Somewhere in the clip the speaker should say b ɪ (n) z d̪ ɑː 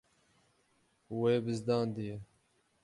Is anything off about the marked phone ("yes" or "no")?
yes